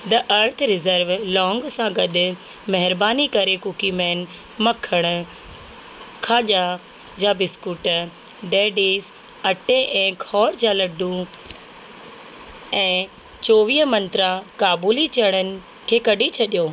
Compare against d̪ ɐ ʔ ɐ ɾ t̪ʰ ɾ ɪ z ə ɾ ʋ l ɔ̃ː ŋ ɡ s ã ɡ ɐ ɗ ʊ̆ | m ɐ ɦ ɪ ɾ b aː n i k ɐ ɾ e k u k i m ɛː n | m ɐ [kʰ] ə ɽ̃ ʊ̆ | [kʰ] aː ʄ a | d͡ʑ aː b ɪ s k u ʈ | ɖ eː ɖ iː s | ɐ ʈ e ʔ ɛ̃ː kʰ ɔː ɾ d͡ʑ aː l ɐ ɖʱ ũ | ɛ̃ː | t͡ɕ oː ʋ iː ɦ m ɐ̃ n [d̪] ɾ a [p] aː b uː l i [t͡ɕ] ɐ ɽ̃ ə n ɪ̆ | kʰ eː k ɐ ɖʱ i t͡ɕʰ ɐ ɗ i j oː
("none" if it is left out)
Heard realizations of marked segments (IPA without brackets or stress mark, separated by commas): kʰ, kʰ, t̪, k, t͡ɕ